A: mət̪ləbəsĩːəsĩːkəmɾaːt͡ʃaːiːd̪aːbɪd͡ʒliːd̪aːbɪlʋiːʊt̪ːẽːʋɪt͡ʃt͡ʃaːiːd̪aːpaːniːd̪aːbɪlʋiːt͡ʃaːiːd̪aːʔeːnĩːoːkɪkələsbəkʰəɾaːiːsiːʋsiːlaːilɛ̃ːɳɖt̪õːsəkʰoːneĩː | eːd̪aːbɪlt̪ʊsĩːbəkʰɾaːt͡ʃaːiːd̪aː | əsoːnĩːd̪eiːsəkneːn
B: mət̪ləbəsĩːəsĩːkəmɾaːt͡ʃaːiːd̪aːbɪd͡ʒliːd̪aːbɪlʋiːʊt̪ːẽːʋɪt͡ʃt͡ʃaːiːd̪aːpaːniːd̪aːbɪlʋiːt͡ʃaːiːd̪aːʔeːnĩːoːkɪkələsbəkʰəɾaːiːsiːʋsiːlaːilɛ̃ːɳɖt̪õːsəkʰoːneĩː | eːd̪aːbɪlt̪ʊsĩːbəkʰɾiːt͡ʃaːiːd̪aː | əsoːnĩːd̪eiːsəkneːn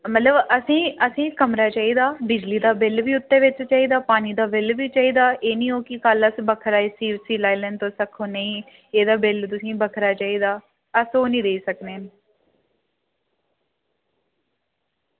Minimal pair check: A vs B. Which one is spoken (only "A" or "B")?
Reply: A